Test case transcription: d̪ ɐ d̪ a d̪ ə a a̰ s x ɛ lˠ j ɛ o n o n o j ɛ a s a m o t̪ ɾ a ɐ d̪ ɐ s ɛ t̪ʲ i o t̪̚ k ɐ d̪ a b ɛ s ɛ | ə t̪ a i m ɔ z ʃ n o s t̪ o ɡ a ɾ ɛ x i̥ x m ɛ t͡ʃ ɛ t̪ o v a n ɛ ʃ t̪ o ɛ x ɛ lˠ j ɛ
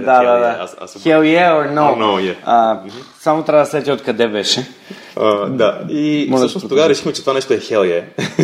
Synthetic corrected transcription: d̪ a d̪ a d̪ a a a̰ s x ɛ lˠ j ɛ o n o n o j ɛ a s a m o t̪ ɾ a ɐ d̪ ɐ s ɛ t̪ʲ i o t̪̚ k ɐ d̪ ɛ b ɛ ʃ ɛ | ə d̪ a i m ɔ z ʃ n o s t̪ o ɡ a ɾ ɛ ʃ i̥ x m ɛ t͡ʃ ɛ t̪ o v a n ɛ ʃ t̪ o ɛ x ɛ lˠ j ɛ